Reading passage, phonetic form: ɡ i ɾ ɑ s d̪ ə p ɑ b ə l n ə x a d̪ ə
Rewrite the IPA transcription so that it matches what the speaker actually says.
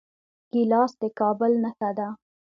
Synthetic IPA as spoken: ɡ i l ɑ s d̪ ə k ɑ b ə l n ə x a d̪ a

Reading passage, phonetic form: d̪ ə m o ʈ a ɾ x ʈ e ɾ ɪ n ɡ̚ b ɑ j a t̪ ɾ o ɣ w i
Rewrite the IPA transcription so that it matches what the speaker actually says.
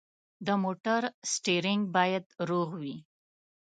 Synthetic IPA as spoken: d̪ ə m o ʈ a ɾ s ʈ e ɾ ɪ ŋ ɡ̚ b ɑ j a d̪ ɾ o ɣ w i

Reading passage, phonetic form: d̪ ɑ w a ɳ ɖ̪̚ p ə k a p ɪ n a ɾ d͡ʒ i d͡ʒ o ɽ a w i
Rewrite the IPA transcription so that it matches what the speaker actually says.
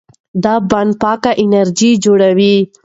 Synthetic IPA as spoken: d̪ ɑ b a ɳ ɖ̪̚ p ɑ k a ʔ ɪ n a ɾ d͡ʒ i d͡ʒ o ɽ a w i

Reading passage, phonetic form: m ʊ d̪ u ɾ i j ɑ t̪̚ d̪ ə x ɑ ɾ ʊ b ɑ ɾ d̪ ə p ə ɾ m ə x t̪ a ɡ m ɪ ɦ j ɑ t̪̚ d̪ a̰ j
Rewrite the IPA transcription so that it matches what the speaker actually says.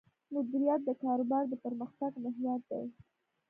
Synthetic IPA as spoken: m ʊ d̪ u ɾ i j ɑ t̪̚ d̪ ə k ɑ ɾ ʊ b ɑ ɾ d̪ ə p ə ɾ m ə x t̪ a ɡ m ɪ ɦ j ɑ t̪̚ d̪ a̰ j

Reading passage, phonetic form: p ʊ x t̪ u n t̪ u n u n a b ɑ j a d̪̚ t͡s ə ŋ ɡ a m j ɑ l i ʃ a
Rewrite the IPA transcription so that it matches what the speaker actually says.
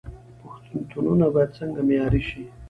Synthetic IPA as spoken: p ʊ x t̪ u n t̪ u n u n a b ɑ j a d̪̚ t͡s ə ŋ ɡ a m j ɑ ɾ i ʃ i

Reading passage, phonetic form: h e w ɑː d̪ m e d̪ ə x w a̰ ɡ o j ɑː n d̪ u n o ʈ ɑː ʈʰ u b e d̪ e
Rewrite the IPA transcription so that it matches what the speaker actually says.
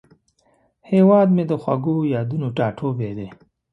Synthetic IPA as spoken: h e w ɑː d̪ m e d̪ ə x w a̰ ɡ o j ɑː d̪ u n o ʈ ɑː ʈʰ o b e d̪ e

